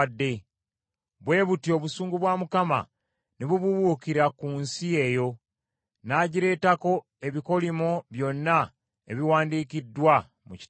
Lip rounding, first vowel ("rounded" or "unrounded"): unrounded